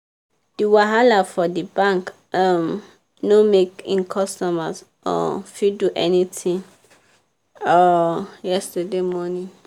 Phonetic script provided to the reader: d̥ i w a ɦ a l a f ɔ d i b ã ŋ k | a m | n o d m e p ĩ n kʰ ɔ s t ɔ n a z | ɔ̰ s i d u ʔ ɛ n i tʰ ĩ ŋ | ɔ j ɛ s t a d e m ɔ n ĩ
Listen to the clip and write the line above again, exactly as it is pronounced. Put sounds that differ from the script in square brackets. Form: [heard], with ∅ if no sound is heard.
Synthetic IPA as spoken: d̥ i w a ɦ a l a f ɔ d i b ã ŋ k | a m | n o [∅] m e [k] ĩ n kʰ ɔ s t ɔ [m] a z | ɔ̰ [f] i d u ʔ ɛ n i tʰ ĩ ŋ | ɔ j ɛ s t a d e m ɔ n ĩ